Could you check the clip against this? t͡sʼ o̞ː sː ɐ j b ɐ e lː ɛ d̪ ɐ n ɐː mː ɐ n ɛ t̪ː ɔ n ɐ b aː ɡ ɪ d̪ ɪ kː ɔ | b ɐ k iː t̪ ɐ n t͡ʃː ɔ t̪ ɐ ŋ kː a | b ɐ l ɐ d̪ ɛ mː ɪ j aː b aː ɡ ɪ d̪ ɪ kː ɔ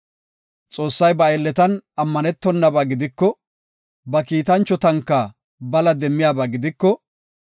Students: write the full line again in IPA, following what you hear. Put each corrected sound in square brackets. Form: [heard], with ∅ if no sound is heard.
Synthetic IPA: t͡sʼ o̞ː sː ɐ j b ɐ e lː ɛ [t̪] ɐ n [ɐ] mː ɐ n ɛ t̪ː ɔ [nː] ɐ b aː ɡ ɪ d̪ ɪ kː ɔ | b ɐ k iː t̪ ɐ n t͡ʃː ɔ t̪ ɐ ŋ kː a | b ɐ l ɐ d̪ ɛ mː ɪ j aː b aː ɡ ɪ d̪ ɪ kː ɔ